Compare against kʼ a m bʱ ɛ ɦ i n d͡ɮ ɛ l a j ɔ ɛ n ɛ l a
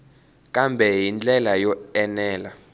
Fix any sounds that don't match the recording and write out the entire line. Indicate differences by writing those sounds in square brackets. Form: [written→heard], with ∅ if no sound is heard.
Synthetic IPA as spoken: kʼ a m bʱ ɛ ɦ i n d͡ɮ ɛ l a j ɔ ɛ n [ɛ→ɛː] l a